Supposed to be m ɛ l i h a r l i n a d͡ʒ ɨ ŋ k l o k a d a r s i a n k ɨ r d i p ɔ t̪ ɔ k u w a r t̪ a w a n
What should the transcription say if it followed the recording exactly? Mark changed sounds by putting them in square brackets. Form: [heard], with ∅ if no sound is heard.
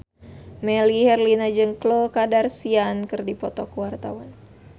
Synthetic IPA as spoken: m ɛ l i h [ɛ] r l i n a d͡ʒ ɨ ŋ k l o k a d a r s i a n k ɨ r d i p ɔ t̪ ɔ k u w a r t̪ a w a n